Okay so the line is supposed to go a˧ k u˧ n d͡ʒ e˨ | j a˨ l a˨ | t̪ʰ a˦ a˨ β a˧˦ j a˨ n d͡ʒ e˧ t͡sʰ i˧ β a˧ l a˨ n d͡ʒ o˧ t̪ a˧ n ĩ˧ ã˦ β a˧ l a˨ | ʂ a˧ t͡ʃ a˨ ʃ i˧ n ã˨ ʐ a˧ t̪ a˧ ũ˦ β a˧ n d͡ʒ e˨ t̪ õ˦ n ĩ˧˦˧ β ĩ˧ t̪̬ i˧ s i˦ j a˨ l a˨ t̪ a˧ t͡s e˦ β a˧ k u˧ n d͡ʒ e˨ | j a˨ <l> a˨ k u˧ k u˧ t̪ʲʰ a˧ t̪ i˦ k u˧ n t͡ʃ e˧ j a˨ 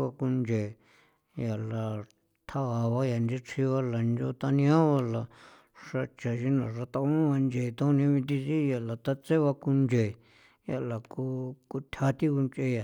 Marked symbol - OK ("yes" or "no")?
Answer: yes